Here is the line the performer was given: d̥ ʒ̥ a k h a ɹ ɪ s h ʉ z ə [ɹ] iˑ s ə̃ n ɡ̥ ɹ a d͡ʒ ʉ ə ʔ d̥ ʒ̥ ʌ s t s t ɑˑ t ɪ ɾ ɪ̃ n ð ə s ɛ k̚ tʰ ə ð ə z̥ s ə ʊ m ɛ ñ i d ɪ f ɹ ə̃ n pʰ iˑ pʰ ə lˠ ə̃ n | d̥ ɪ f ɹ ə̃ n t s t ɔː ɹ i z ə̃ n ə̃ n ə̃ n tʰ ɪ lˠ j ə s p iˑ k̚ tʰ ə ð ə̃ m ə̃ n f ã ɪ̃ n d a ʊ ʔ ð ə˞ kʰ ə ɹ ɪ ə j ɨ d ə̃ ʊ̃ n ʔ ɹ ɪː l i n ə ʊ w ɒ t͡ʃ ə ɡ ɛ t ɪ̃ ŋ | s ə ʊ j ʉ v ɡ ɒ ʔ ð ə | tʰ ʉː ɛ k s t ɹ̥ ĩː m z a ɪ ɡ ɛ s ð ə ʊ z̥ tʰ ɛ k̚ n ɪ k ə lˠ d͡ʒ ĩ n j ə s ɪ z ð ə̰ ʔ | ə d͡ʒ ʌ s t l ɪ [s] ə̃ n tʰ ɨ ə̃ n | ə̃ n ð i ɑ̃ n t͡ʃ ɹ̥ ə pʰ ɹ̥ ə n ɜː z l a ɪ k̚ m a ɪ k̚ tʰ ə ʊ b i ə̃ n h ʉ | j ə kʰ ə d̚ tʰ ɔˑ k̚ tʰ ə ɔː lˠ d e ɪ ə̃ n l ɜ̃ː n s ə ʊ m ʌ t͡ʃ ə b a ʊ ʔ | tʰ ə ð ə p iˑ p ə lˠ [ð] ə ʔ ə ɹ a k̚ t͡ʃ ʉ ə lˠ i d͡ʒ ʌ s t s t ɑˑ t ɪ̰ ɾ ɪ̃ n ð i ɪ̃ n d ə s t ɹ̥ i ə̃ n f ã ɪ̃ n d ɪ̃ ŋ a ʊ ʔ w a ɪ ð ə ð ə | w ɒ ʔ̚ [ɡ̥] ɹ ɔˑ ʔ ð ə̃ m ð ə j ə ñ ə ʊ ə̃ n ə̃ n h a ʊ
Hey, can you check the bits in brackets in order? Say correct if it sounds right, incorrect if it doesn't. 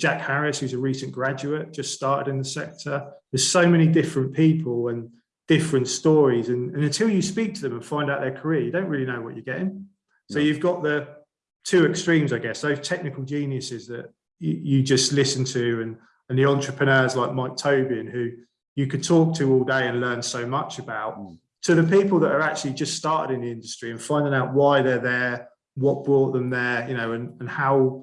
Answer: correct, correct, correct, incorrect: b̥

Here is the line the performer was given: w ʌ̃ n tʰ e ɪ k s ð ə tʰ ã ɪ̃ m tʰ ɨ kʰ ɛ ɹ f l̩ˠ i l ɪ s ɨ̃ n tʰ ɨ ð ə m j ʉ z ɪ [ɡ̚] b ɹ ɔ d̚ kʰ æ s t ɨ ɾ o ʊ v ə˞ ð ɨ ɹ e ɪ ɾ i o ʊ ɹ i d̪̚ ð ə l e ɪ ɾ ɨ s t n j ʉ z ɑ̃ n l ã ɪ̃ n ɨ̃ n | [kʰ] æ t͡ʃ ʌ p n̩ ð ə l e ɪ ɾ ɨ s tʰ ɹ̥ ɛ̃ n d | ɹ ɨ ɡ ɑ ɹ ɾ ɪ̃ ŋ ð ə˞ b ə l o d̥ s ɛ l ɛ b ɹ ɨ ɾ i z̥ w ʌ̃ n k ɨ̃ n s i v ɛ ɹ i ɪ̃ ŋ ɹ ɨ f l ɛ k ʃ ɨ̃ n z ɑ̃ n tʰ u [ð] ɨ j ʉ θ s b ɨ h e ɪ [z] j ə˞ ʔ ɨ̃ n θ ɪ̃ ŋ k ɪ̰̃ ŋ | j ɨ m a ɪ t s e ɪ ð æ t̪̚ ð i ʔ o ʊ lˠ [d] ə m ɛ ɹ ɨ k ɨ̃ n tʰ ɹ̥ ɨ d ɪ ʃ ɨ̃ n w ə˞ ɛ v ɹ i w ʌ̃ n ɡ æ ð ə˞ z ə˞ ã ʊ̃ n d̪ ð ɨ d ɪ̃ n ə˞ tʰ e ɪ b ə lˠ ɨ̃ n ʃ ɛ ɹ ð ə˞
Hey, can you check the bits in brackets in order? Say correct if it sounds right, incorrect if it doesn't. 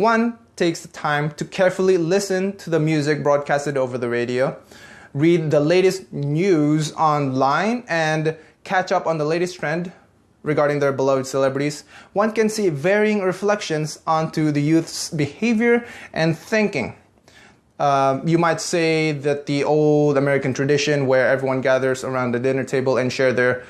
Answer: incorrect: k̚, correct, correct, incorrect: v, correct

